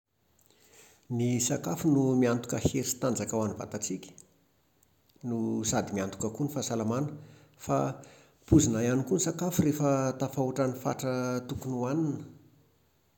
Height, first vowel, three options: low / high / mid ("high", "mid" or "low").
high